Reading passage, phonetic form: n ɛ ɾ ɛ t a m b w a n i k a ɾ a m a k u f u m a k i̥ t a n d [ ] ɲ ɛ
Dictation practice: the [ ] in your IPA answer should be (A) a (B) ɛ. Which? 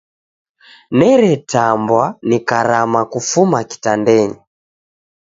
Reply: B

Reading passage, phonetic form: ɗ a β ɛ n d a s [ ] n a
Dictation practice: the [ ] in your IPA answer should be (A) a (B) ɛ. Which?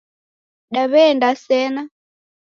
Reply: B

